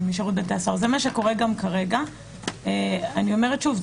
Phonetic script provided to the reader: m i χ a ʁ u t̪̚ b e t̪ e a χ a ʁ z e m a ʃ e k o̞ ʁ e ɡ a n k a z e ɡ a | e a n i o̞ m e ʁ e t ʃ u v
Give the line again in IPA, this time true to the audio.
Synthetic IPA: m i ʃ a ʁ u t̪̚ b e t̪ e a s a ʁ z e m a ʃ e k o̞ ʁ e ɡ a m k a ʁ e ɡ a | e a n i o̞ m e ʁ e t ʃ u v

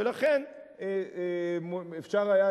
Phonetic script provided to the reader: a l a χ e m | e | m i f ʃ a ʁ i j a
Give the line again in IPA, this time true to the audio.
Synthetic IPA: e l a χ e n | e | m e f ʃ a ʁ a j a

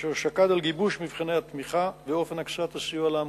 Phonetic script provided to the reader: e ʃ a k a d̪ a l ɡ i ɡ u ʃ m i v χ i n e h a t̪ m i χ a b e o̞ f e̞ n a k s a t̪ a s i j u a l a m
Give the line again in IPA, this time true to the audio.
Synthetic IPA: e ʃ a k a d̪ a l ɡ i b u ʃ m i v χ i n e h a t̪ m i χ a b e o̞ f e̞ n a k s a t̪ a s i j u a l a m

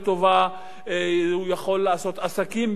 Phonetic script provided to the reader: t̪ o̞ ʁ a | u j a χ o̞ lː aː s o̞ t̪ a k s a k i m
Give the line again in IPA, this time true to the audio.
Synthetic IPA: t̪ o̞ v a | u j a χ o̞ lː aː s o̞ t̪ a s a k i m

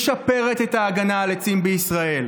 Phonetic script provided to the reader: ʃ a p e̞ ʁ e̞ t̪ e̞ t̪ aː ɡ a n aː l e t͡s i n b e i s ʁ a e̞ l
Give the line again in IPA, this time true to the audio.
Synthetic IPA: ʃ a p e̞ ʁ e̞ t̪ e̞ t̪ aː ɡ a n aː l e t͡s i m b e i s ʁ a e̞ l

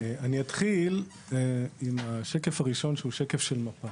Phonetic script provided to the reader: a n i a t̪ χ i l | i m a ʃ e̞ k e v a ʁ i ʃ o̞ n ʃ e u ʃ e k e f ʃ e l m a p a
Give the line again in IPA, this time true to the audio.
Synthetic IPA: a n i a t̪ χ i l | i m a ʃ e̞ k e f a ʁ i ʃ o̞ n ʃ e u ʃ e k e f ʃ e l m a p a

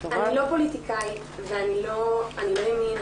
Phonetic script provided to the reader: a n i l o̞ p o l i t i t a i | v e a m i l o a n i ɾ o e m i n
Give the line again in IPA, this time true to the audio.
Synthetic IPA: a n i l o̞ p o l i t i k a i | v e a n i l o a n i l o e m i n

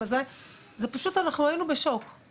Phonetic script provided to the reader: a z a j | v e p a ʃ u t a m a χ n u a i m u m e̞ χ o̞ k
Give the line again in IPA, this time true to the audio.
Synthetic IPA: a z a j | z e p a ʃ u t a n a χ n u a i n u b e̞ ʃ o̞ k

